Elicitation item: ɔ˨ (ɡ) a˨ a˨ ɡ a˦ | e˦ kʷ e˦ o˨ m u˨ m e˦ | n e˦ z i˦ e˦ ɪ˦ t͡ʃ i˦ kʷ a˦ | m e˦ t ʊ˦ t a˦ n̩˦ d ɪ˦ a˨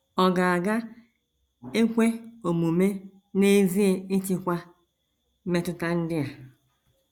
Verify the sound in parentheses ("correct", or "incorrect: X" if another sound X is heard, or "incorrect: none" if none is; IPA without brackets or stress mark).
correct